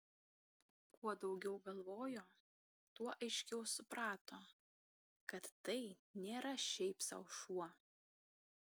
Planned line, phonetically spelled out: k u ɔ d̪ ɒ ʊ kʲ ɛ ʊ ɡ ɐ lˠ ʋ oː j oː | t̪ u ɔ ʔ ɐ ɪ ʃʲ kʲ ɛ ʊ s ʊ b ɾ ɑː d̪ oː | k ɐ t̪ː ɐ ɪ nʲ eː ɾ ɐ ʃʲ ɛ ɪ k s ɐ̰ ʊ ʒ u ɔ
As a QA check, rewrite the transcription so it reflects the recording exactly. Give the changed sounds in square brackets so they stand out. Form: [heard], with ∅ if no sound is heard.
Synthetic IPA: k u ɔ d̪ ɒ ʊ [ɡʲ] ɛ ʊ ɡ ɐ lˠ ʋ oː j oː | t̪ u ɔ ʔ ɐ ɪ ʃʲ kʲ ɛ ʊ s ʊ [p] ɾ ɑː [t̪] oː | k ɐ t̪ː ɐ ɪ nʲ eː ɾ ɐ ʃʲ ɛ ɪ [p] s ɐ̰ ʊ [ʃ] u ɔ